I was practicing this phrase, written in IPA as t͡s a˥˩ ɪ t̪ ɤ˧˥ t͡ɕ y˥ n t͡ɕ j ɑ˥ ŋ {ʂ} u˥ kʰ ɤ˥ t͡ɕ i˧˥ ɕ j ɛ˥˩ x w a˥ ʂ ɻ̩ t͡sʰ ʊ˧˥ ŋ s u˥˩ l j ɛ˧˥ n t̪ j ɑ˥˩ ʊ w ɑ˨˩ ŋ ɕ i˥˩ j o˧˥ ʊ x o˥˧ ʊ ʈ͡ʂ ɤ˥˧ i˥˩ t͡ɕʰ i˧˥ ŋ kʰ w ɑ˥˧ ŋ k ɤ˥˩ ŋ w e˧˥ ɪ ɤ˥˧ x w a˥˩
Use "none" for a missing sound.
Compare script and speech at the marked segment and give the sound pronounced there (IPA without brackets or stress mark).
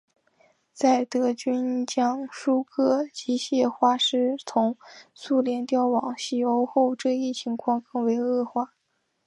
ʂ